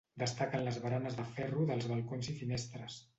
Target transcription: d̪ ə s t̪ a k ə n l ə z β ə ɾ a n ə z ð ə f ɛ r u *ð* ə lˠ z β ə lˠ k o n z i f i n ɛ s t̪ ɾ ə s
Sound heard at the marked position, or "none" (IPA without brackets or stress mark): ð